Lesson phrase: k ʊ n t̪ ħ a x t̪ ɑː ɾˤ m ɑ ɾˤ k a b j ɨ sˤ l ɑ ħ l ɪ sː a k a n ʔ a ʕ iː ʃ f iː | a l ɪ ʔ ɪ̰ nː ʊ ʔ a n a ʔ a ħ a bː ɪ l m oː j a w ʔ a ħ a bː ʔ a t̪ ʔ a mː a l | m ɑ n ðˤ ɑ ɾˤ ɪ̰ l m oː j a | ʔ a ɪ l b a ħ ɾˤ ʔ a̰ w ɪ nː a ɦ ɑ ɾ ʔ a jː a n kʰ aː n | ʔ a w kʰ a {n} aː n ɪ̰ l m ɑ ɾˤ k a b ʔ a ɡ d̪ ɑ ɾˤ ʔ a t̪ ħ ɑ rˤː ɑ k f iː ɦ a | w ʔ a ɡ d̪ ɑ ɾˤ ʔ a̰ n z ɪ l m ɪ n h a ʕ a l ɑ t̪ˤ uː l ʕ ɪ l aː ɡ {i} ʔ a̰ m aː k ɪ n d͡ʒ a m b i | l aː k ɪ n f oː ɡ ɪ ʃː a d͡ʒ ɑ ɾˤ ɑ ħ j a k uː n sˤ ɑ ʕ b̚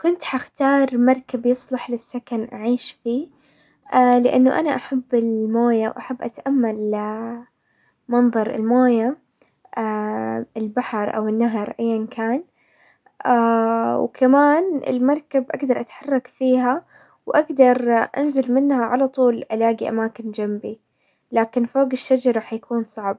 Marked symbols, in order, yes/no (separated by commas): no, yes